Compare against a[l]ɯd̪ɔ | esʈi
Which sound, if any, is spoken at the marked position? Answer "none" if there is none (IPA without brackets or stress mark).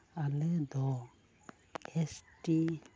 l